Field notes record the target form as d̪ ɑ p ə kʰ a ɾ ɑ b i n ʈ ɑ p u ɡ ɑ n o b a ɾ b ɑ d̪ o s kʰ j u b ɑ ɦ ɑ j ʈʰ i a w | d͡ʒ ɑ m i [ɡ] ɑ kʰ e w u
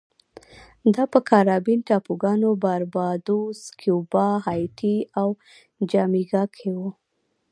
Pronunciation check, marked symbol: correct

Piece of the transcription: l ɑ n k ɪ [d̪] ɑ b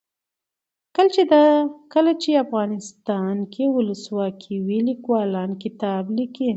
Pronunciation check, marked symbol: incorrect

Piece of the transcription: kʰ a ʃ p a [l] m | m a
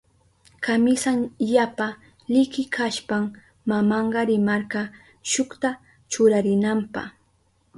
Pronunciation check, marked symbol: incorrect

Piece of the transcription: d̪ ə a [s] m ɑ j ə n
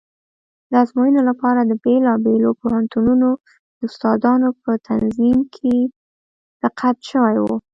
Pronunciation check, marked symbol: incorrect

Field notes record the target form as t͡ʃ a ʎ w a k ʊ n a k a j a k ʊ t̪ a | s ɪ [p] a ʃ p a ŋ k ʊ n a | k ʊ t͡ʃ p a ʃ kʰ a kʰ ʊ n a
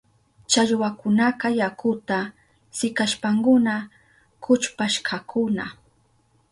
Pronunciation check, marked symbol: incorrect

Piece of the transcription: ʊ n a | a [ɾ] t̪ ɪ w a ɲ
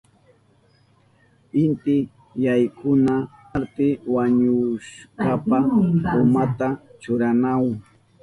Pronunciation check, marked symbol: correct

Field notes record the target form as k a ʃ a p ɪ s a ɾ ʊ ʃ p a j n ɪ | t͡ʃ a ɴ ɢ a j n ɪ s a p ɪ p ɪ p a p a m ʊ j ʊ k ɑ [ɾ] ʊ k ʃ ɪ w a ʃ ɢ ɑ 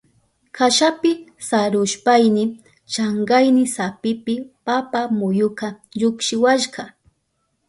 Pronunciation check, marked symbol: incorrect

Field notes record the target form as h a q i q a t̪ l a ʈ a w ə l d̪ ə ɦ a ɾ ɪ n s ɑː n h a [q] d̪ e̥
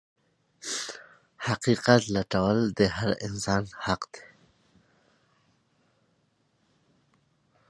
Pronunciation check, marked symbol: correct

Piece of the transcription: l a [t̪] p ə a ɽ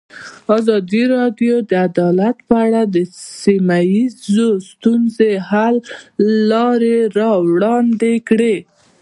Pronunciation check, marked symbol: correct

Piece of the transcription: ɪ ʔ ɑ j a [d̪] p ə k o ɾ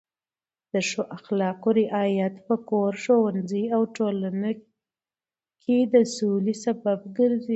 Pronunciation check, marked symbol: incorrect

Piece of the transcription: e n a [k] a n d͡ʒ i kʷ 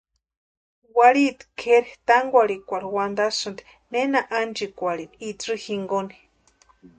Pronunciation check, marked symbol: incorrect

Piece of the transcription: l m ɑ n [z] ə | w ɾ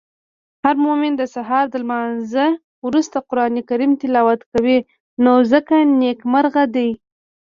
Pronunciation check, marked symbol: correct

